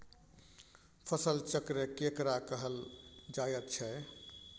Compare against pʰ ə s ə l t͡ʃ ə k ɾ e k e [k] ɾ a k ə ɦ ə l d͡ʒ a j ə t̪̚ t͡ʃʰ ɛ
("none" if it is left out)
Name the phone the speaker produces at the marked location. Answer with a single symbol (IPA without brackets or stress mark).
k